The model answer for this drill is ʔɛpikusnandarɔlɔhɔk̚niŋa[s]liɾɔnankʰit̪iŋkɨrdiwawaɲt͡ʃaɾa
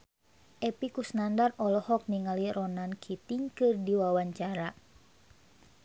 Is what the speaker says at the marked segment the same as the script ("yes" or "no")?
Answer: no